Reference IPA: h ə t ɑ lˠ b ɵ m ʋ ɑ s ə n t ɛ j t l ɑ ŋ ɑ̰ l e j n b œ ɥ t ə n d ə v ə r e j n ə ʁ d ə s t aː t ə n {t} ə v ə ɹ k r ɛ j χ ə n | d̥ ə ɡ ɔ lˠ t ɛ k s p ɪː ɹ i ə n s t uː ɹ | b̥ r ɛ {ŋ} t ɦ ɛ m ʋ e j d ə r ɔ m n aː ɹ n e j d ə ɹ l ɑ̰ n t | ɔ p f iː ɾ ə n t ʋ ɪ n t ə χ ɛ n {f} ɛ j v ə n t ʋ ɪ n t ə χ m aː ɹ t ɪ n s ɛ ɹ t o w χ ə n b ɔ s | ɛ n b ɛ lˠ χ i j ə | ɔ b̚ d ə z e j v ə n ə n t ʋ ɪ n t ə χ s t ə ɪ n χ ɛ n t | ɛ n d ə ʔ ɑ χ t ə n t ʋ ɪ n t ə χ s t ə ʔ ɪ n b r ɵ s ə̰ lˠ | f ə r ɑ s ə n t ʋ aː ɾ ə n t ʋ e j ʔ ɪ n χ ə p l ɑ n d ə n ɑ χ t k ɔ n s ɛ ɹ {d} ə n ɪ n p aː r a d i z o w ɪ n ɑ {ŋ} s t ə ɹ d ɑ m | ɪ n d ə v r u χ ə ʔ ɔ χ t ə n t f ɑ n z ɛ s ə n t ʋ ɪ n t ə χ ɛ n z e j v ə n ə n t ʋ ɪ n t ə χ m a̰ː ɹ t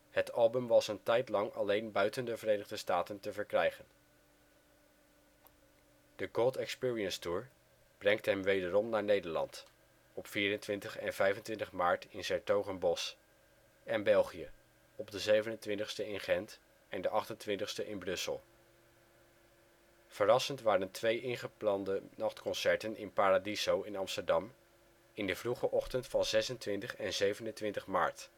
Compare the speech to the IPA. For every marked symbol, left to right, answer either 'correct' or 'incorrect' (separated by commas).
correct, correct, incorrect, incorrect, incorrect